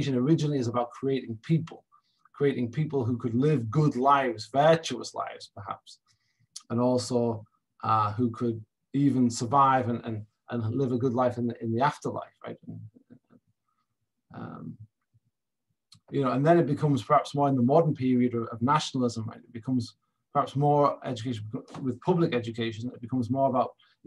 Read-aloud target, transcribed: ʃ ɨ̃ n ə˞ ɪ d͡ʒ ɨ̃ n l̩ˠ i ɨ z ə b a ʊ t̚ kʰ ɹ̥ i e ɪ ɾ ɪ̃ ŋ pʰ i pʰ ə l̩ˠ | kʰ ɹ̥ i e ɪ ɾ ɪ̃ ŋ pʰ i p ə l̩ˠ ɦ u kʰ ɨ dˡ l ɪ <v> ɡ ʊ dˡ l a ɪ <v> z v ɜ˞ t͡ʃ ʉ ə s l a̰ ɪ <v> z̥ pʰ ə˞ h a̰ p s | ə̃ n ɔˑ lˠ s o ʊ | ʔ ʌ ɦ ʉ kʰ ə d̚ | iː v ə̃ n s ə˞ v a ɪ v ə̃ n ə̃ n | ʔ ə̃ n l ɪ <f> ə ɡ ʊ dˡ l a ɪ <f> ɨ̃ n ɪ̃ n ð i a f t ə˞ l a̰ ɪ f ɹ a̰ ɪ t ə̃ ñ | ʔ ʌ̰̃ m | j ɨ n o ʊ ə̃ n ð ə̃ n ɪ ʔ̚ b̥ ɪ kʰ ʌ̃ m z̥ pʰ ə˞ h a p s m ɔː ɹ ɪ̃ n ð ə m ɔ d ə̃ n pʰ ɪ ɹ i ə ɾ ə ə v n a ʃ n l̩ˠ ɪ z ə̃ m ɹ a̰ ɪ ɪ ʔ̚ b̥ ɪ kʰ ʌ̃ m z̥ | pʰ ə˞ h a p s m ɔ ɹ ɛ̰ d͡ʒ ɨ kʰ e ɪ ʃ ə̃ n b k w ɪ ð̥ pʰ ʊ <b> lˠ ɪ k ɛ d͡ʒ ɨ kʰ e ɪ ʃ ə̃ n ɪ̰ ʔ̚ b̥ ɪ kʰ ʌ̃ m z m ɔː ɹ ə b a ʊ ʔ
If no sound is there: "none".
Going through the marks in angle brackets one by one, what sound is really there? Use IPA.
v, v, v, v, f, b

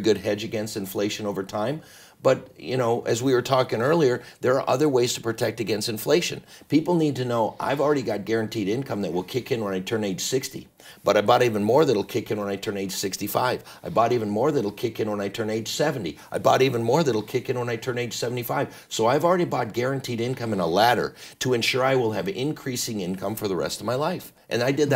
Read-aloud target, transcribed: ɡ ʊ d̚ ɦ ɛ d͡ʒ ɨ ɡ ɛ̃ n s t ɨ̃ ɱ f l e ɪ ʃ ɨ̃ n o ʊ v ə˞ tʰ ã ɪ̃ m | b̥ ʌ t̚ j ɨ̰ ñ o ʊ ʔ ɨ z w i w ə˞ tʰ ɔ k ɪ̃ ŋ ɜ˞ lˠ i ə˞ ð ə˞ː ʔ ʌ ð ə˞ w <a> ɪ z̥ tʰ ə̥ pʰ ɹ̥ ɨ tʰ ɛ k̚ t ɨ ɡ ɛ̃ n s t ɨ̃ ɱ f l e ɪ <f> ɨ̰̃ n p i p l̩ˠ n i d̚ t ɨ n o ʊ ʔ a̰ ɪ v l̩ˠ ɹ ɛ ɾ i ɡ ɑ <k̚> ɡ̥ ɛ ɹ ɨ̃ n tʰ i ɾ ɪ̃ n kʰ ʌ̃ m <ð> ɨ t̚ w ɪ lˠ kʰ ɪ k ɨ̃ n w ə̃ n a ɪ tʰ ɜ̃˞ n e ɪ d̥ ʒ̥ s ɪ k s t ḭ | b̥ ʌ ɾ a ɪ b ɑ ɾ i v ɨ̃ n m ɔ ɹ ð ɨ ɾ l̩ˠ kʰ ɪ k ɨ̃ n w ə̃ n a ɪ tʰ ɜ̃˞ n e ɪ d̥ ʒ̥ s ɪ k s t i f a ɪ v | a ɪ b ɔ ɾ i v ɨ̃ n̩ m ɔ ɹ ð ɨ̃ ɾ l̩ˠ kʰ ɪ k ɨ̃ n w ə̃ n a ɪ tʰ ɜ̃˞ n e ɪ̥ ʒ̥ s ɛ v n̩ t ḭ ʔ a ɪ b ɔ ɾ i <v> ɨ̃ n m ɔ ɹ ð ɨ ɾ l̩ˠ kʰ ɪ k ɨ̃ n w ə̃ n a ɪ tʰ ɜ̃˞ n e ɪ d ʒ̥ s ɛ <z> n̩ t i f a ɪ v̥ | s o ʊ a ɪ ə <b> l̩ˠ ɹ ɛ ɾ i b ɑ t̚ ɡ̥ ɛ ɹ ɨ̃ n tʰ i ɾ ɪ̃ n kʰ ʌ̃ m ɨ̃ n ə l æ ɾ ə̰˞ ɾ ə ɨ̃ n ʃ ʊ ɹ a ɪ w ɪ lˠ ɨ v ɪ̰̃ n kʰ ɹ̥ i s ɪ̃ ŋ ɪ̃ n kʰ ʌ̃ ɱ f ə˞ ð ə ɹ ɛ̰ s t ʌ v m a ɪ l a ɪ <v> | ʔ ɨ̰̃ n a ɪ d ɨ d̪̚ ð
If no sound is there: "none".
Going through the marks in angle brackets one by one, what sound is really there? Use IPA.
e, ʃ, t̚, ð, v, v, v, f

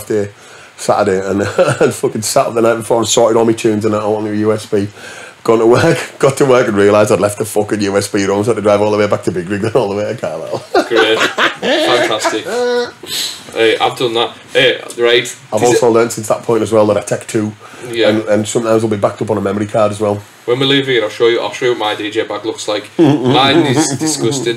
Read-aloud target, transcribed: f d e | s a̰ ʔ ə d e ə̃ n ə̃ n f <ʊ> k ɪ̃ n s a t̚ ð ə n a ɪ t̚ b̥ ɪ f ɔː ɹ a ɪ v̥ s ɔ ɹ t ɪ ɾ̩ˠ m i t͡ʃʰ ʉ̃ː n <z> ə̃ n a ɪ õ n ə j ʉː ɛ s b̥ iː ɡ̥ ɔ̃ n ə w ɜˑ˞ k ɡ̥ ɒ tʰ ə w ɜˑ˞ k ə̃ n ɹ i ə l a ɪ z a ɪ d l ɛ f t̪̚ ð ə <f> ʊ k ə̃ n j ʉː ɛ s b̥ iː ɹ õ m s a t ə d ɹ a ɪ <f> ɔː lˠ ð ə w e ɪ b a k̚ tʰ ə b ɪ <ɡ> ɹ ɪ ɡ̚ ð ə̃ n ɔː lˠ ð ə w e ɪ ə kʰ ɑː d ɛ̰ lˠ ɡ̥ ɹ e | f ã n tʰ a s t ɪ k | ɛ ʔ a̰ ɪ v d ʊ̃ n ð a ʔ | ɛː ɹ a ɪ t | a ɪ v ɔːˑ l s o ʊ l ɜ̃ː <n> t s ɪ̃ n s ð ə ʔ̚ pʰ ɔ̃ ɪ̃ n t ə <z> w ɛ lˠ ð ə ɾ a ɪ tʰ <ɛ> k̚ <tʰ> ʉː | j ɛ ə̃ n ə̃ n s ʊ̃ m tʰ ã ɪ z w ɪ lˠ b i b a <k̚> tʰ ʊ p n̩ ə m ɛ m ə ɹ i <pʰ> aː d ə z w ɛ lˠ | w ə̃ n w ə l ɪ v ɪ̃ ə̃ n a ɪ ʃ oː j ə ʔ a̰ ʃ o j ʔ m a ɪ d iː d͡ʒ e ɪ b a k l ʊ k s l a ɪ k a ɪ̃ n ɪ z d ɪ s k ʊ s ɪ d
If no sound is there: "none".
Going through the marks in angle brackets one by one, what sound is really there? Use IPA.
ʊ, z, f, v, ɡ, n, z, ɛ, tʰ, k̚, kʰ

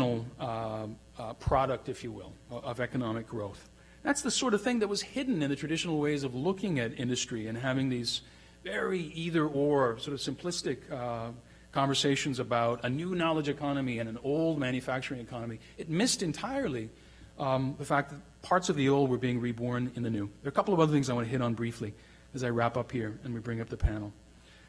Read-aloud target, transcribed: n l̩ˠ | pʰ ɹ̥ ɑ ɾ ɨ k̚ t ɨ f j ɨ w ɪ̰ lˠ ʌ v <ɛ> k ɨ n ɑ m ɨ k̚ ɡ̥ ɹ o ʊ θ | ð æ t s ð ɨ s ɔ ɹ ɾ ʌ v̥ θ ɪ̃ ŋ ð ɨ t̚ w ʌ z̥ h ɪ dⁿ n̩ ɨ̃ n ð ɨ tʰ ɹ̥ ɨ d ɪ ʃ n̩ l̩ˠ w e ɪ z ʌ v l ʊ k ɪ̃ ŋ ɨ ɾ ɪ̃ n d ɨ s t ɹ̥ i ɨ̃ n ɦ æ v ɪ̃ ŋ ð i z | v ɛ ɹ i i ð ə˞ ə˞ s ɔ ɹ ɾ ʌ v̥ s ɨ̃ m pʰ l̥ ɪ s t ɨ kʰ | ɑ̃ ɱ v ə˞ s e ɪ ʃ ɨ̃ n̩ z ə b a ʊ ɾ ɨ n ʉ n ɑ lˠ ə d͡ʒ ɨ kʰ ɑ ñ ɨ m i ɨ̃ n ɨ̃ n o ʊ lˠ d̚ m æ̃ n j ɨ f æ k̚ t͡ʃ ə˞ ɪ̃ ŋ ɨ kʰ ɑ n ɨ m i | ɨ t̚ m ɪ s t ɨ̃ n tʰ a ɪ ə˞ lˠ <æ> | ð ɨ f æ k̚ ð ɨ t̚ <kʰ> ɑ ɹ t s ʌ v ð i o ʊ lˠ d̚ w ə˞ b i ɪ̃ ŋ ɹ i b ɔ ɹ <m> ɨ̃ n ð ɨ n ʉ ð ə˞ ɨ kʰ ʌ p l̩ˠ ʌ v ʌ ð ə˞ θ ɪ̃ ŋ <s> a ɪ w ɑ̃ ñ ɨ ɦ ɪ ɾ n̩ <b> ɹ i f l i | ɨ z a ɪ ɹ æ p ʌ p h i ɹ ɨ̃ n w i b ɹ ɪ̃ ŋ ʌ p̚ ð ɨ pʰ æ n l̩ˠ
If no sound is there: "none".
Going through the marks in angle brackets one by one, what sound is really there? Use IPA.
ɛ, i, pʰ, n, z, b

